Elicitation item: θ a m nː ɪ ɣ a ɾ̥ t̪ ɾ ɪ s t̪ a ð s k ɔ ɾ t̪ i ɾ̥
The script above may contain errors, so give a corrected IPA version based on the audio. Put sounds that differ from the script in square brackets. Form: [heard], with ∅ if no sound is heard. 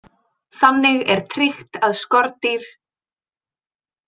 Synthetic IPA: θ a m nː ɪ ɣ [ɛ] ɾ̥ [t̪ʰ] ɾ ɪ [x] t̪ a ð s k ɔ ɾ t̪ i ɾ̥